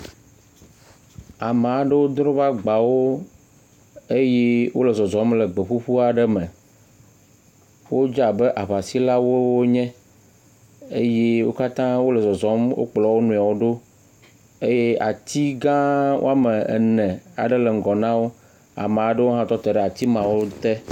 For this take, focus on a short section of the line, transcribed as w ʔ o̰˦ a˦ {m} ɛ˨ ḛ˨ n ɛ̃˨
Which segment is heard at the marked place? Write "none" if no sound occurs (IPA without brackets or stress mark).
m